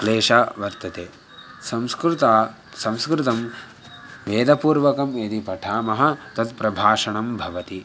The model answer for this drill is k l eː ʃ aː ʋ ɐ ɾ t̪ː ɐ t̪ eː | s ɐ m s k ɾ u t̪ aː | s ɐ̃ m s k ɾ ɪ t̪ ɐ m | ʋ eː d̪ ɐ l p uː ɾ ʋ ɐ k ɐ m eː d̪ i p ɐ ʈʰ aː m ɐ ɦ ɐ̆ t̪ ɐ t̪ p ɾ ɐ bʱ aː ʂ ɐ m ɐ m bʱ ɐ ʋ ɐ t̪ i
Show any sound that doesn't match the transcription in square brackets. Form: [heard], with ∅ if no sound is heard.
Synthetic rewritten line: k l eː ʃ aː ʋ ɐ ɾ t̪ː ɐ t̪ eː | s ɐ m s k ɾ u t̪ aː | s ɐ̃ m s k ɾ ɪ t̪ ɐ m | ʋ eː d̪ ɐ [∅] p uː ɾ ʋ ɐ k ɐ m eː d̪ i p ɐ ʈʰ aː m ɐ ɦ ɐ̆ t̪ ɐ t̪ p ɾ ɐ bʱ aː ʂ ɐ [ɳ] ɐ m bʱ ɐ ʋ ɐ t̪ i

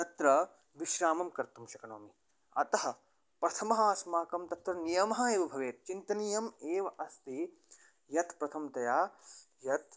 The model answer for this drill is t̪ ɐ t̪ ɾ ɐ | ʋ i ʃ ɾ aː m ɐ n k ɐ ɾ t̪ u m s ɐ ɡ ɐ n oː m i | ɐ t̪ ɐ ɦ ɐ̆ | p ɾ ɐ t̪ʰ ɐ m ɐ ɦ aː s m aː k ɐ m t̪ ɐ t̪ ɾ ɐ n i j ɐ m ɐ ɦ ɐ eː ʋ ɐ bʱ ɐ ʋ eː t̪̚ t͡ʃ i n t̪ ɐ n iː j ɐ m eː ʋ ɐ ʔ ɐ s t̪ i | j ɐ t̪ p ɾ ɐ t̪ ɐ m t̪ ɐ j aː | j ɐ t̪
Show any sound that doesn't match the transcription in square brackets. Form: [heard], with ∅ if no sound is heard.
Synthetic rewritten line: t̪ ɐ t̪ ɾ ɐ | ʋ i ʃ ɾ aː m ɐ [m] k ɐ ɾ t̪ u m [ʃ] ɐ [k] ɐ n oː m i | ɐ t̪ ɐ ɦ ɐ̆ | p ɾ ɐ t̪ʰ ɐ m ɐ ɦ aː s m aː k ɐ m t̪ ɐ t̪ ɾ ɐ n i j ɐ m ɐ ɦ ɐ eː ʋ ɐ bʱ ɐ ʋ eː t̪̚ t͡ʃ i n t̪ ɐ n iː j ɐ m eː ʋ ɐ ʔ ɐ s t̪ i | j ɐ t̪ p ɾ ɐ [t̪ʰ] ɐ m t̪ ɐ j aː | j ɐ t̪

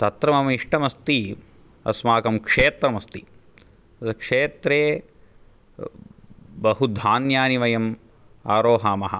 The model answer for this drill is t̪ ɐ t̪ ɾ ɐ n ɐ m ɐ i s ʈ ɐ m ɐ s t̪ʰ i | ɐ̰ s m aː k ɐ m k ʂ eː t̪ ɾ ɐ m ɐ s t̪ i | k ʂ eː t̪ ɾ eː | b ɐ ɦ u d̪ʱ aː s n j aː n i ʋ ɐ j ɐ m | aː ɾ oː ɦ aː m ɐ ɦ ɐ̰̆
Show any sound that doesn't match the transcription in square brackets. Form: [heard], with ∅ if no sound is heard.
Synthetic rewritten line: t̪ ɐ t̪ ɾ ɐ [m] ɐ m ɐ i [ʂ] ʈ ɐ m ɐ s [t̪] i | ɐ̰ s m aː k ɐ m k ʂ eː t̪ ɾ ɐ m ɐ s t̪ i | k ʂ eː t̪ ɾ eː | b ɐ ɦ u d̪ʱ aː [∅] n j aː n i ʋ ɐ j ɐ m | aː ɾ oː ɦ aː m ɐ ɦ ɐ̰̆

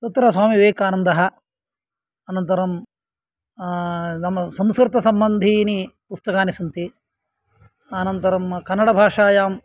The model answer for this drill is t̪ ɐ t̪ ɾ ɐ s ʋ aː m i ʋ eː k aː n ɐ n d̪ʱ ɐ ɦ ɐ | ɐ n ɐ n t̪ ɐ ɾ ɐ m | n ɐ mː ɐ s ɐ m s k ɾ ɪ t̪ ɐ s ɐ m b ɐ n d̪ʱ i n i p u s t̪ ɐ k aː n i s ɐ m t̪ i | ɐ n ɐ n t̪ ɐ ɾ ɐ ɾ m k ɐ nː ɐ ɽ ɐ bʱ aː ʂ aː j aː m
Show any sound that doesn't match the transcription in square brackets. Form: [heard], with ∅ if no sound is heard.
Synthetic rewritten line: t̪ ɐ t̪ ɾ ɐ s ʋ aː m i ʋ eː k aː n ɐ n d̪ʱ ɐ ɦ ɐ | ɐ n ɐ n t̪ ɐ ɾ ɐ m | n ɐ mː ɐ s ɐ m s k ɾ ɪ t̪ ɐ s ɐ m b ɐ n d̪ʱ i n i p u s t̪ ɐ k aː n i s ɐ [n] t̪ i | ɐ n ɐ n t̪ ɐ ɾ ɐ [∅] m k ɐ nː ɐ ɽ ɐ bʱ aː ʂ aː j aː m

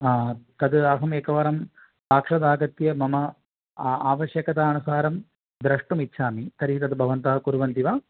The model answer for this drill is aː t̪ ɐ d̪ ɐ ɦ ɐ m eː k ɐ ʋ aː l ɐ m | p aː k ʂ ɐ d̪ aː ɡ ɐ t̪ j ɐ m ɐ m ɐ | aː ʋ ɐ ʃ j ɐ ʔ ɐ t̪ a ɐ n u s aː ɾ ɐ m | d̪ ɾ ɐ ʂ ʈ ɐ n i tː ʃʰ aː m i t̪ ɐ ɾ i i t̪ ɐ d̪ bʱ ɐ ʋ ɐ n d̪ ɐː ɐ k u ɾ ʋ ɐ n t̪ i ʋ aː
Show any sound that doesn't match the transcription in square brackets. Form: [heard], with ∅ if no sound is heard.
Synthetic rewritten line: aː t̪ ɐ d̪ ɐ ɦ ɐ m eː k ɐ ʋ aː [ɾ] ɐ m | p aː k ʂ ɐ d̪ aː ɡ ɐ t̪ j ɐ m ɐ m ɐ | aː ʋ ɐ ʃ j ɐ [k] ɐ t̪ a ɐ n u s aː ɾ ɐ m | d̪ ɾ ɐ ʂ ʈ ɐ [m] i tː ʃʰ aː m i t̪ ɐ ɾ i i t̪ ɐ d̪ bʱ ɐ ʋ ɐ n [t̪] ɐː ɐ k u ɾ ʋ ɐ n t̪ i ʋ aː

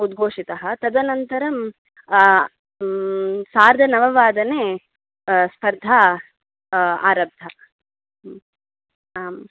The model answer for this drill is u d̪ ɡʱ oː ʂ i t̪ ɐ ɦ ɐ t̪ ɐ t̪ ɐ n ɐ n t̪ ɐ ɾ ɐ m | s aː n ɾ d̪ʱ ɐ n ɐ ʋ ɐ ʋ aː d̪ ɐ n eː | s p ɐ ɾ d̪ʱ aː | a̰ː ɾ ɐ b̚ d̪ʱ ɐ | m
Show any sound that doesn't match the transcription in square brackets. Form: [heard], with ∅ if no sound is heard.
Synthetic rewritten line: u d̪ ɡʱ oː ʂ i t̪ ɐ ɦ ɐ t̪ ɐ [d̪] ɐ n ɐ n t̪ ɐ ɾ ɐ m | s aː [∅] ɾ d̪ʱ ɐ n ɐ ʋ ɐ ʋ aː d̪ ɐ n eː | s p ɐ ɾ d̪ʱ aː | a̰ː ɾ ɐ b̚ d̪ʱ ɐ | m

